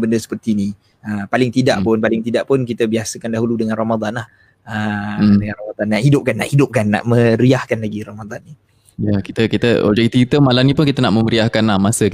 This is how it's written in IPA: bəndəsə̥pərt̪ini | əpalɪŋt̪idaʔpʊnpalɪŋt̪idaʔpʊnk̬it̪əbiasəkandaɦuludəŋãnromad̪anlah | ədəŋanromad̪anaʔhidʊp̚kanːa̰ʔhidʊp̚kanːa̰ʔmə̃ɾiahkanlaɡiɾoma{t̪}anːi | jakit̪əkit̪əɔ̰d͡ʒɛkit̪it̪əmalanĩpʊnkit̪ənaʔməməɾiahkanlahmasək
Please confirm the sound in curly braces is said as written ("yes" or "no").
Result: no